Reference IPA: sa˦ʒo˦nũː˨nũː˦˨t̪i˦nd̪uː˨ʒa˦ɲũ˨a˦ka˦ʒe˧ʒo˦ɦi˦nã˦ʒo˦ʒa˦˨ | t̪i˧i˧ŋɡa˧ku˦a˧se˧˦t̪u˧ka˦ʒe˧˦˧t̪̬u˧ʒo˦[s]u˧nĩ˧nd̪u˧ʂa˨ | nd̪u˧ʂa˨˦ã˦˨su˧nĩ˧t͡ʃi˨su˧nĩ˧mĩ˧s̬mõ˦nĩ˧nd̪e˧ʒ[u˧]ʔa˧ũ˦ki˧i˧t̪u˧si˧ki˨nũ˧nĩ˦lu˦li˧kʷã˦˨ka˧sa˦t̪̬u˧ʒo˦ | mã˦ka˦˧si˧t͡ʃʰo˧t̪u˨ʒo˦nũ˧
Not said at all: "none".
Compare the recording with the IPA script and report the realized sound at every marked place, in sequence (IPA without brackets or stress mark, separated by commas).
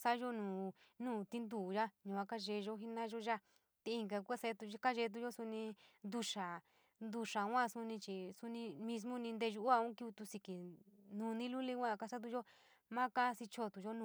s, u˧